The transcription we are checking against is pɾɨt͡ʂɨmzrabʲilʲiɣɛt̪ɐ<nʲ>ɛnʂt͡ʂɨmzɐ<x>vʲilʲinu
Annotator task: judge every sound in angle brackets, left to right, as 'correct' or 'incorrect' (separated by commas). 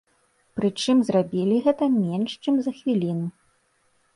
incorrect, correct